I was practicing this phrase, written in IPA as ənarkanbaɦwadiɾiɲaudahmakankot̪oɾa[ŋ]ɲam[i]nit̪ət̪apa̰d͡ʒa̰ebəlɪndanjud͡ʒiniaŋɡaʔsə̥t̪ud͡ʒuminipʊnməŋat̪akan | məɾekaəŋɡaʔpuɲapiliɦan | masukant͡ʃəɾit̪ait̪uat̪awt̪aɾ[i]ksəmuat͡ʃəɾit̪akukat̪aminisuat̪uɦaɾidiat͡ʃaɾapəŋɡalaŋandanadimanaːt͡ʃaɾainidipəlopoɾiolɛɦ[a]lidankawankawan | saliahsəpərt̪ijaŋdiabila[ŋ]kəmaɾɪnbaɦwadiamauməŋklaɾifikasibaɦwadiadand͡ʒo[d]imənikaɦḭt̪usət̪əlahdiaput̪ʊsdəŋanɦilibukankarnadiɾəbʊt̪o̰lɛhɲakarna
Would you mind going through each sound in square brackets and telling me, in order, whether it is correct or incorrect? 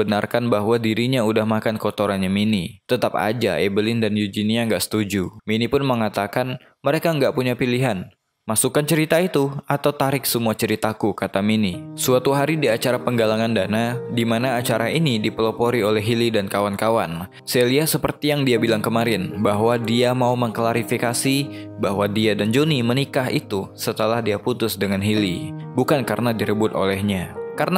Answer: incorrect, correct, incorrect, incorrect, correct, incorrect

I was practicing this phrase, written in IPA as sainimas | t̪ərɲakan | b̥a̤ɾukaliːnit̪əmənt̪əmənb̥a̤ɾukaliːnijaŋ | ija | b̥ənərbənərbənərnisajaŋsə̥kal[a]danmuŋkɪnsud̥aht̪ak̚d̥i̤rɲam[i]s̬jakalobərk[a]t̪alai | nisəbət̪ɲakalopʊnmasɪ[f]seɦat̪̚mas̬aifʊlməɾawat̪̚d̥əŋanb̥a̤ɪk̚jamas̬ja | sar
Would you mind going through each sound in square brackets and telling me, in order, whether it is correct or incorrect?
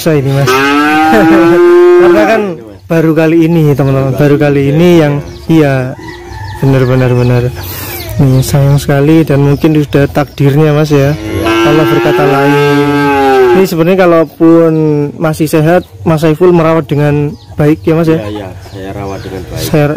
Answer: incorrect, incorrect, correct, incorrect

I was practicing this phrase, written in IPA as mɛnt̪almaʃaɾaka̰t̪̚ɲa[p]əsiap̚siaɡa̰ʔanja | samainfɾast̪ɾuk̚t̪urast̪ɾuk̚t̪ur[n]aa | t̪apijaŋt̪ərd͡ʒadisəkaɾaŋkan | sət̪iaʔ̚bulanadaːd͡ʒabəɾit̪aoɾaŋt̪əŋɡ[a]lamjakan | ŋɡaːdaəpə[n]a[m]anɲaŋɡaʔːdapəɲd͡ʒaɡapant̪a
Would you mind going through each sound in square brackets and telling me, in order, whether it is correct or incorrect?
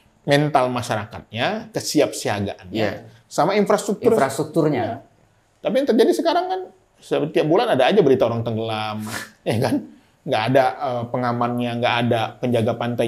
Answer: incorrect, incorrect, incorrect, incorrect, correct

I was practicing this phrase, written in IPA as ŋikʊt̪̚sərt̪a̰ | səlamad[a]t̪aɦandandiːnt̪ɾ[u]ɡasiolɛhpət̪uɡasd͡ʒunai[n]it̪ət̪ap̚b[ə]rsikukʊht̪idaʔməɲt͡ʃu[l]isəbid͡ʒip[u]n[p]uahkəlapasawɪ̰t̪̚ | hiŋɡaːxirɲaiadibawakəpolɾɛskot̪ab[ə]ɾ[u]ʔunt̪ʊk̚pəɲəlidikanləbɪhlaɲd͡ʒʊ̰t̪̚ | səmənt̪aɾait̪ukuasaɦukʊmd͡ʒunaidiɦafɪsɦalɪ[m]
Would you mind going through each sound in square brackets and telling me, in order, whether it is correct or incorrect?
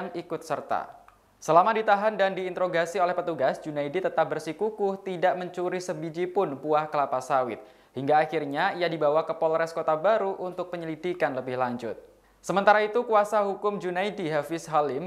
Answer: incorrect, incorrect, incorrect, correct, incorrect, incorrect, correct, incorrect, correct, correct

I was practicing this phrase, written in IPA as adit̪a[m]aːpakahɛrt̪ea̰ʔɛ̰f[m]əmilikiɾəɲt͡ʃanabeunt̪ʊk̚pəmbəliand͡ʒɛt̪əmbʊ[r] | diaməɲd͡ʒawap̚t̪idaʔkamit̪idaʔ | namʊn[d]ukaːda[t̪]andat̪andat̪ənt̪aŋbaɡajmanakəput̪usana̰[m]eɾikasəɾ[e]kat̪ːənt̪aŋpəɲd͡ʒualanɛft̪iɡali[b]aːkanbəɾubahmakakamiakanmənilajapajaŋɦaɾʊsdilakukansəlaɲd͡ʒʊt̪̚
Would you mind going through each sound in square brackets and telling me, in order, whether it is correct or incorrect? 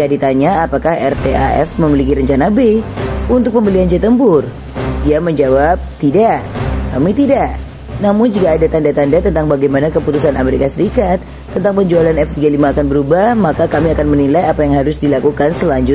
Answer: incorrect, correct, correct, incorrect, correct, correct, incorrect, incorrect

